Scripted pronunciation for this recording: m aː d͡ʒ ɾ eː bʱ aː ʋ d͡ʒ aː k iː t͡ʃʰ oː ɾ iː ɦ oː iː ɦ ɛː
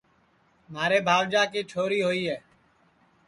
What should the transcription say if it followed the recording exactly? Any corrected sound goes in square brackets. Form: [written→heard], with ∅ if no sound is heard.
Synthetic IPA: m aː [d͡ʒ→∅] ɾ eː bʱ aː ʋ d͡ʒ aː k iː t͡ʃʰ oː ɾ iː ɦ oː iː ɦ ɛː